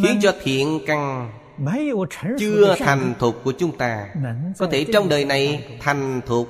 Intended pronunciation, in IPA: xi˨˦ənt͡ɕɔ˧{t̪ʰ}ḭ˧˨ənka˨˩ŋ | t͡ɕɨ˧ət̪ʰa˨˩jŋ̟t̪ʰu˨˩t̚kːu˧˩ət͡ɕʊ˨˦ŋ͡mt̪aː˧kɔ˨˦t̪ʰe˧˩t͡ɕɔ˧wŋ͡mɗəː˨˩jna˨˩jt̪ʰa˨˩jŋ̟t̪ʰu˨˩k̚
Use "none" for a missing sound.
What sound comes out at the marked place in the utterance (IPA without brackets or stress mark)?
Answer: t̪ʰ